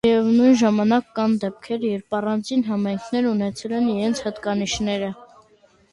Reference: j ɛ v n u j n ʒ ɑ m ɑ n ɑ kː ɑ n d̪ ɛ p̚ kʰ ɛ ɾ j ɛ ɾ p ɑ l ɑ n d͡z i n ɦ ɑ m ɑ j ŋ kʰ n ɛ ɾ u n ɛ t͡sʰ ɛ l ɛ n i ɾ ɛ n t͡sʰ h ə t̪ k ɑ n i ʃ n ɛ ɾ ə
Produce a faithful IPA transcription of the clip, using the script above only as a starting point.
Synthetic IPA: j ɛ v n u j n ʒ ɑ m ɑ n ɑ kː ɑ n d̪ ɛ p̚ kʰ ɛ ɾ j ɛ ɾ p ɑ r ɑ n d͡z i n ɦ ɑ m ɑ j ŋ kʰ n ɛ ɾ u n ɛ t͡sʰ ɛ l ɛ n i ɾ ɛ n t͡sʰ h ə t̪ k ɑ n i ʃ n ɛ ɾ ə